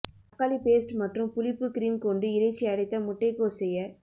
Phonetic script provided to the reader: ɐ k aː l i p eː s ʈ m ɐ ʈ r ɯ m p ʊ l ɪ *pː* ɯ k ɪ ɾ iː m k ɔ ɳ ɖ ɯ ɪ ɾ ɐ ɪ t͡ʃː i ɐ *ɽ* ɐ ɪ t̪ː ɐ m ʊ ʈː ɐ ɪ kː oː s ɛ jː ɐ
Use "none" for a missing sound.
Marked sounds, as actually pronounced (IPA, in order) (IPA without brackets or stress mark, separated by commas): pː, ɽ